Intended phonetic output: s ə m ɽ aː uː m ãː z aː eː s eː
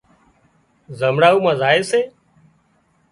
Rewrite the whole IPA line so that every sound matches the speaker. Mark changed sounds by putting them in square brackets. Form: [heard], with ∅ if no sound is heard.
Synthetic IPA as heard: [z] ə m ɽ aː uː m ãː z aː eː s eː